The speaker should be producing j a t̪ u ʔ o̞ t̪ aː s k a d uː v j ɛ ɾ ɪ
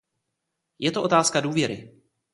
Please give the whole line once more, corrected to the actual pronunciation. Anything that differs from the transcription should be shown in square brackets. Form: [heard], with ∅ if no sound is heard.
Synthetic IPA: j [ɛ] t̪ [o] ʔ o̞ t̪ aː s k a d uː v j ɛ ɾ ɪ